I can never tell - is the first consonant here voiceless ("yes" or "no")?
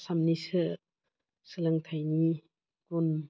yes